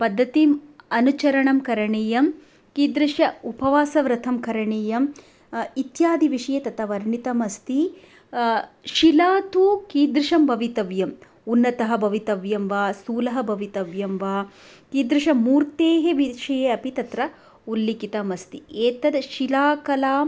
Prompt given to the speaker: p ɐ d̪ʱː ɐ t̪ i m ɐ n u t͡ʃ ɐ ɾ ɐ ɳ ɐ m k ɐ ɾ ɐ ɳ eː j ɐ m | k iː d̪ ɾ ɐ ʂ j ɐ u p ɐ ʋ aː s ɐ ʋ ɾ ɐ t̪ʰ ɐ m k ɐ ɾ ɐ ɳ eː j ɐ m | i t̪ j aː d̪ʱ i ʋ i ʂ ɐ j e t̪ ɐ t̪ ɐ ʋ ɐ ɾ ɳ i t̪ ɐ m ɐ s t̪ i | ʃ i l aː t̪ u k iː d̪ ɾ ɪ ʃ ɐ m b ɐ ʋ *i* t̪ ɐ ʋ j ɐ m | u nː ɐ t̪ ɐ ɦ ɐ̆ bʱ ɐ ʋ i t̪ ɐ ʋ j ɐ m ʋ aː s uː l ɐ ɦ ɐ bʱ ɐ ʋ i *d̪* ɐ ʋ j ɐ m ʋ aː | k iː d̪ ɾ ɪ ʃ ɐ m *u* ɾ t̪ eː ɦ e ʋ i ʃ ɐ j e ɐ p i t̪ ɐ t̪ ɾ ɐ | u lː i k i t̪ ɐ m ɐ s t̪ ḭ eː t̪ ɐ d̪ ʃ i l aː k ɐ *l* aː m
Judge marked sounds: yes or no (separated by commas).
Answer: yes, no, no, yes